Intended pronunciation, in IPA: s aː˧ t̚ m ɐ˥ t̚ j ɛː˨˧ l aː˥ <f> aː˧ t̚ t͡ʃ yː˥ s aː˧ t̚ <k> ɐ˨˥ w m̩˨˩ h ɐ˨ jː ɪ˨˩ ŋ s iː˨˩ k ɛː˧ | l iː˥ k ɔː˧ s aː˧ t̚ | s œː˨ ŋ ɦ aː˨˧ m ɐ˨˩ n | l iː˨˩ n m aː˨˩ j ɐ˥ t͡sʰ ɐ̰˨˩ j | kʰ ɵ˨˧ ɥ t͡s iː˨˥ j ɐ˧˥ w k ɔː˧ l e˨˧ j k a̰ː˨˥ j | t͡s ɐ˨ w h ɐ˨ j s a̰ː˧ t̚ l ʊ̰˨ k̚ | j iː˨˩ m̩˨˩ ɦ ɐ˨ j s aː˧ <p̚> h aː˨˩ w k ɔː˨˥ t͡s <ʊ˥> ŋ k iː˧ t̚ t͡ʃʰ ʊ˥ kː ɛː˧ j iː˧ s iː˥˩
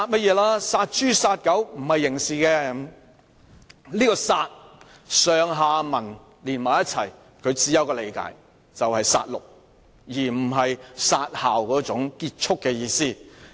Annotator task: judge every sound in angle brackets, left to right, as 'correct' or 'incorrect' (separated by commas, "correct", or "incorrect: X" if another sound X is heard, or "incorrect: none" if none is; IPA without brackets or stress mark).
incorrect: s, correct, incorrect: t̚, incorrect: ʊ˨˥